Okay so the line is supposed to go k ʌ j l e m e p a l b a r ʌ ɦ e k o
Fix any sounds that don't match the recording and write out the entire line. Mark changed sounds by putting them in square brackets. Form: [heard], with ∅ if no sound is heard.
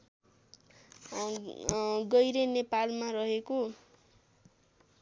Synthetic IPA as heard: [ɡ] ʌ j [ɾ] e [n] e p a l [m] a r ʌ ɦ e k o